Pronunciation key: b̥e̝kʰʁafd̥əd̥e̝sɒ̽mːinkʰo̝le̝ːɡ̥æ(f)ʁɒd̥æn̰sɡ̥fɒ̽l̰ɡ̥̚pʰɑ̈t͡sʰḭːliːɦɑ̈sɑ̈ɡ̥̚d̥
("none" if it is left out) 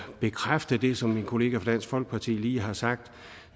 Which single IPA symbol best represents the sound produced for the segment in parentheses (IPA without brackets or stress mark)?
f